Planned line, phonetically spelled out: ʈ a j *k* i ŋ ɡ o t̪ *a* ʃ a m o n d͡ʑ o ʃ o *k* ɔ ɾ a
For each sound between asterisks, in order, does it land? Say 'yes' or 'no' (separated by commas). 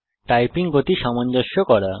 no, no, yes